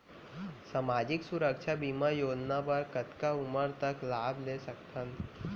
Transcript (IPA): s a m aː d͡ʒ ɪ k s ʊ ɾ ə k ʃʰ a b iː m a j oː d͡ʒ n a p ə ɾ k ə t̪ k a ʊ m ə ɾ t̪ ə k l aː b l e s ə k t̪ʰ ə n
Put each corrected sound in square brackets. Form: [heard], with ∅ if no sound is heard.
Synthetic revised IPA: s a m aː d͡ʒ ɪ k s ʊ ɾ ə k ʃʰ a b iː m a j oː d͡ʒ n a p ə ɾ k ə t̪ k a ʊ m ə ɾ t̪ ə k l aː b l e s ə k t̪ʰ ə n